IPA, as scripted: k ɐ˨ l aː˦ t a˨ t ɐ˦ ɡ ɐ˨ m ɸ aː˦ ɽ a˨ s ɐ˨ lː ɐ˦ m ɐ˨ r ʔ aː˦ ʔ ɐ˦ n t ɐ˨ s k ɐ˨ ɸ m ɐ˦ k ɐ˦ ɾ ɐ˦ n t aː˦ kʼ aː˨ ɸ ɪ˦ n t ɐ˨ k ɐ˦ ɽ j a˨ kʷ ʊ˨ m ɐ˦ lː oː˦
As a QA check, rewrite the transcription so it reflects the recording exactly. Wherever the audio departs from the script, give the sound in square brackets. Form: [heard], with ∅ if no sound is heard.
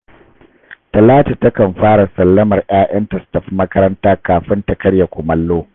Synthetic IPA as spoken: [t] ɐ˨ l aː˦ t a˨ t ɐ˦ [k] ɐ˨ m ɸ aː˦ ɽ a˨ s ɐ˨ lː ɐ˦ m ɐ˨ r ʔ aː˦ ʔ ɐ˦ n t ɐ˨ s [t] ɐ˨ ɸ m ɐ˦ k ɐ˦ ɾ ɐ˦ n t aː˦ [k] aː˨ ɸ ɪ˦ n t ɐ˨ k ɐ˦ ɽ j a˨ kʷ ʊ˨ m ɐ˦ lː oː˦

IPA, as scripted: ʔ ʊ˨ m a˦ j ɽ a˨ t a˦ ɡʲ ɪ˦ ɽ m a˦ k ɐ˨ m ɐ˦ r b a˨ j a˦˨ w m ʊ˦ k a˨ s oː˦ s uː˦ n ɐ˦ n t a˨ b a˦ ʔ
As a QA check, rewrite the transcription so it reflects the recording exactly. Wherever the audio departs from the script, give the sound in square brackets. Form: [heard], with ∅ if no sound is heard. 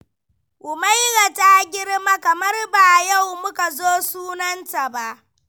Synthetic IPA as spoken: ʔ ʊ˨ m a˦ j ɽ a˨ t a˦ ɡʲ ɪ˦ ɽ m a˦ k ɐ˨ m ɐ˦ r b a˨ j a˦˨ w m ʊ˦ k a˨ [z] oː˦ s uː˦ n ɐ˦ n t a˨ b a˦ ʔ

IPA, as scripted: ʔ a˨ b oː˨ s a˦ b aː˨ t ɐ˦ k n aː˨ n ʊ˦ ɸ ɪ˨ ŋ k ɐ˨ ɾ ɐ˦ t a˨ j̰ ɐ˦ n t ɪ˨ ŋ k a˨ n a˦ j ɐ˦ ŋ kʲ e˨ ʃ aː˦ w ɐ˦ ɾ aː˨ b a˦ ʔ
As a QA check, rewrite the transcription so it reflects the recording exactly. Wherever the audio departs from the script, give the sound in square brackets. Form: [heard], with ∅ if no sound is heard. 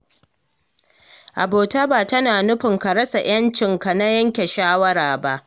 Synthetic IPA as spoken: ʔ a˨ b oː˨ [t] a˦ b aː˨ t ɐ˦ [∅] n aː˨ n ʊ˦ ɸ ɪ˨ ŋ k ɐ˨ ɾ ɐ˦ [s] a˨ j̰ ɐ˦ n [t͡ʃ] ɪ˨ ŋ k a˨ n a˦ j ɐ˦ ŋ kʲ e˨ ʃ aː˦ w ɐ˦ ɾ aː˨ b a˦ ʔ

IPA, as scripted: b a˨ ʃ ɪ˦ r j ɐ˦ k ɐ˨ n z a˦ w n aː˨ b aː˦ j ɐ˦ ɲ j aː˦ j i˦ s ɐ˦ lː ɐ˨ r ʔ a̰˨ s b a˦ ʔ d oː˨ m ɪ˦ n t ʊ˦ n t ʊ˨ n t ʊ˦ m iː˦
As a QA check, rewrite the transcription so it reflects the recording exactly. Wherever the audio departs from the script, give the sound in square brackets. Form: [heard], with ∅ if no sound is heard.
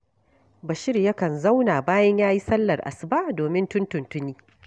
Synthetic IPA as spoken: b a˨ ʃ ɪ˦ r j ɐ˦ k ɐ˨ n z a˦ w n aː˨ b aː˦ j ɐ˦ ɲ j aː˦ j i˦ s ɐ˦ lː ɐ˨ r ʔ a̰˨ s b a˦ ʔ d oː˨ m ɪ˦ n t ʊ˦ n t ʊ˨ n t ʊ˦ [n] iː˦

